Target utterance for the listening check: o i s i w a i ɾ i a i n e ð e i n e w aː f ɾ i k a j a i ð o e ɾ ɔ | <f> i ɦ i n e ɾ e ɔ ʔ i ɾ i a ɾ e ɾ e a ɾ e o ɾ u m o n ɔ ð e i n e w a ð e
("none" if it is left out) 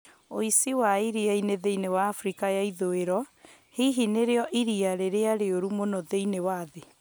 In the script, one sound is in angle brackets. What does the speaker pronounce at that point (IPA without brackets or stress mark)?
h